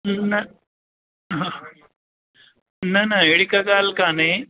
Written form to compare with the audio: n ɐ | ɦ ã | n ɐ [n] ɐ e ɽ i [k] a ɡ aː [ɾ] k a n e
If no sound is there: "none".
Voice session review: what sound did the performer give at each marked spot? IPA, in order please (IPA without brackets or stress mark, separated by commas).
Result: n, k, l